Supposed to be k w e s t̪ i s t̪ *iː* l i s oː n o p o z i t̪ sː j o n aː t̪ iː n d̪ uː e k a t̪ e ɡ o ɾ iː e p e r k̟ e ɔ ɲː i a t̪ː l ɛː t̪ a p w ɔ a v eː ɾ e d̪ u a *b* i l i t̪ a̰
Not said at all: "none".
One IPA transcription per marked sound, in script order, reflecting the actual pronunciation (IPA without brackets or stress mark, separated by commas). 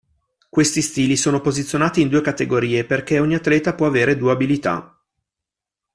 iː, b